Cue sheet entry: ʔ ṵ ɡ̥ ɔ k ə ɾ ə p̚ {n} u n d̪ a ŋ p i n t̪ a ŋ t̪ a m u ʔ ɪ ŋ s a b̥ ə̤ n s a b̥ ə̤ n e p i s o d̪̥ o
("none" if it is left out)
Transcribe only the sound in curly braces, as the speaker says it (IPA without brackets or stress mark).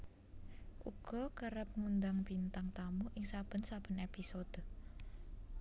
ŋ